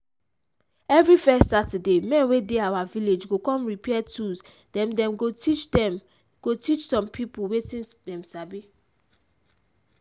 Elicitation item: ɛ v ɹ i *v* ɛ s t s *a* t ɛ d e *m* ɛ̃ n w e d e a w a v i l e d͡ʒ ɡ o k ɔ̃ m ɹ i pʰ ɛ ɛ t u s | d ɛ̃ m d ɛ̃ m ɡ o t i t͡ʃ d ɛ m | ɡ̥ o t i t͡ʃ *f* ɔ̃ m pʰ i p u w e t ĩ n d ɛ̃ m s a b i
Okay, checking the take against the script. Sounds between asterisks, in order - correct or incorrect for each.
incorrect: f, correct, correct, incorrect: s

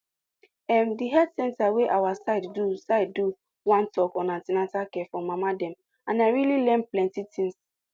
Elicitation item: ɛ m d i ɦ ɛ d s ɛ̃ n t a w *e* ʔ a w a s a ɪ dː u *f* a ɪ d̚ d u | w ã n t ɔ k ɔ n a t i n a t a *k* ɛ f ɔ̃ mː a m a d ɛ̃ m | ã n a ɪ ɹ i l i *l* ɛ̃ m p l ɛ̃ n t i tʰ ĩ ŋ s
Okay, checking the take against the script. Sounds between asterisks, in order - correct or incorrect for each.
correct, incorrect: s, correct, correct

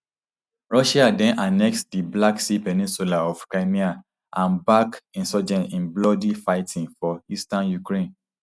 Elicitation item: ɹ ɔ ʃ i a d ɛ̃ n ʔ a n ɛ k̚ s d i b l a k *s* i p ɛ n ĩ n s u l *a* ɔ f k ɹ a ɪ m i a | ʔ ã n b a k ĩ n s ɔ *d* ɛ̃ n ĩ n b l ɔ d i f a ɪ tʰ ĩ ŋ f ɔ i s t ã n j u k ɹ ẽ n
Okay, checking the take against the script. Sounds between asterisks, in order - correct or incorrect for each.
correct, correct, incorrect: d͡ʒ

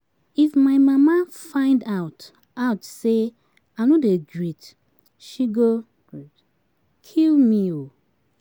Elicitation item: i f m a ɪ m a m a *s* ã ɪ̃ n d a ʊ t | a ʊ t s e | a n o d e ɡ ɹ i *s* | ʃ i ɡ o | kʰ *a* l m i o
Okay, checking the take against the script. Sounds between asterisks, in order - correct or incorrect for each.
incorrect: f, incorrect: t, incorrect: i

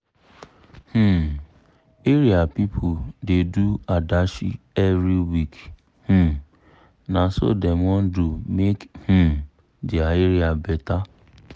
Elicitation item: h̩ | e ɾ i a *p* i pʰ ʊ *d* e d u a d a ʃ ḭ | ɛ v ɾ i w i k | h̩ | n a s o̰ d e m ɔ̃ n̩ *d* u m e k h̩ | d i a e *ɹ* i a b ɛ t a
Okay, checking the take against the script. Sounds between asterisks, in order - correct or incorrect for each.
correct, correct, correct, incorrect: ɾ

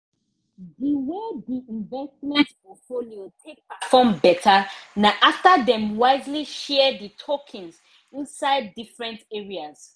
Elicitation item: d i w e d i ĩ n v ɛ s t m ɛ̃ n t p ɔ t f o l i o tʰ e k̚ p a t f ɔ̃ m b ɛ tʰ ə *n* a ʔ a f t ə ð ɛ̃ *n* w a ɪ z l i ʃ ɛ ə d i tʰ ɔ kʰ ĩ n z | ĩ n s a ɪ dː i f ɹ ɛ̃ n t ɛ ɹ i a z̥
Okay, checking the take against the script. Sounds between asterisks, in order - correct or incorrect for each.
correct, incorrect: m

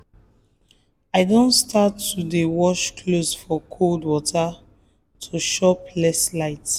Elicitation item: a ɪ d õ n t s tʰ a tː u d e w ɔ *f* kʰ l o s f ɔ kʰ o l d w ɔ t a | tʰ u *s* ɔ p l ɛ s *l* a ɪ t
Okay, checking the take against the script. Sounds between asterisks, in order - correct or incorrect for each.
incorrect: ʃ, incorrect: ʃ, correct

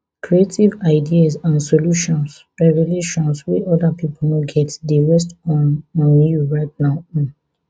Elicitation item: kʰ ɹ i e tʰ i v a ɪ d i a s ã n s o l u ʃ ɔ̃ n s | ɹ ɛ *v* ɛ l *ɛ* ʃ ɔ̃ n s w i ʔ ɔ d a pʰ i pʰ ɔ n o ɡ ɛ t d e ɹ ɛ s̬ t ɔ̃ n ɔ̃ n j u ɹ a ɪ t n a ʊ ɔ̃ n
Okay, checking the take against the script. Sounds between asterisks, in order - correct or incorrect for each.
correct, incorrect: e

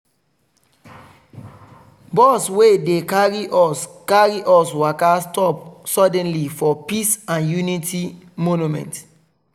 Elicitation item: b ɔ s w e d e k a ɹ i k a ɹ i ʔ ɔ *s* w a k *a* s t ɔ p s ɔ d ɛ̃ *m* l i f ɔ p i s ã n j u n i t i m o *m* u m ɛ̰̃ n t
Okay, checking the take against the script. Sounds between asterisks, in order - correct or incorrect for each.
correct, correct, incorrect: n, incorrect: n

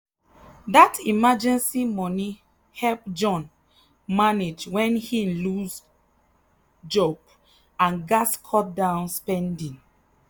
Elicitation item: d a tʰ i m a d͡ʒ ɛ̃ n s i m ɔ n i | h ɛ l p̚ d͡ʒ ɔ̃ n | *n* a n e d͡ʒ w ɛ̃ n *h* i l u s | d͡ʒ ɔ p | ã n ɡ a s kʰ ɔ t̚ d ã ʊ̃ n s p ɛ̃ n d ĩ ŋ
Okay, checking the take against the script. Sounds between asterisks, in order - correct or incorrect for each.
incorrect: m, correct

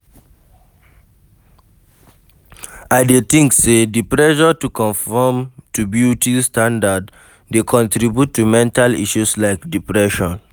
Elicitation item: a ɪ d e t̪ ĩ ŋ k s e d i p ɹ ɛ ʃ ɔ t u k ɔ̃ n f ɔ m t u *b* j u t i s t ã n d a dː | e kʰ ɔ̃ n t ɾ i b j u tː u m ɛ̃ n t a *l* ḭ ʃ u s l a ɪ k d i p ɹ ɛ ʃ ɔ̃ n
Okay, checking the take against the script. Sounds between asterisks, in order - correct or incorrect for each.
correct, correct

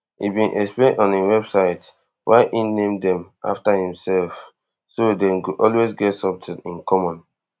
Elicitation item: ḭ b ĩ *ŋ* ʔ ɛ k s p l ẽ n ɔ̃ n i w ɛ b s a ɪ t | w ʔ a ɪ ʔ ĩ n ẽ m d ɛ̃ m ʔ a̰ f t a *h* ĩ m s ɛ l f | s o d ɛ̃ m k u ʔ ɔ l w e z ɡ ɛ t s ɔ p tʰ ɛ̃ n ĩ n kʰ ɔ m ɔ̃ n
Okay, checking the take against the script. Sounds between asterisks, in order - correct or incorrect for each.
incorrect: n, correct

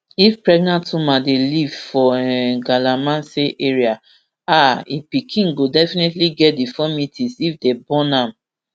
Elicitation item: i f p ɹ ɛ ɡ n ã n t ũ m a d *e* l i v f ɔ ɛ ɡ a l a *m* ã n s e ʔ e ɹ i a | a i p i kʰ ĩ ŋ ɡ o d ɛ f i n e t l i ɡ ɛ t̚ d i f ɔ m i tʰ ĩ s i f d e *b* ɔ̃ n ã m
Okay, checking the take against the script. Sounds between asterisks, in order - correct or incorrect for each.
correct, correct, correct

